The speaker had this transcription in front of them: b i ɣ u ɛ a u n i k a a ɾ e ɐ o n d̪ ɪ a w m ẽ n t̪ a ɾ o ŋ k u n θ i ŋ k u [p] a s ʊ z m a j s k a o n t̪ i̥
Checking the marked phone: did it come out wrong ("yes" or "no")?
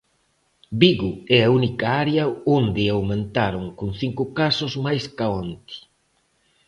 yes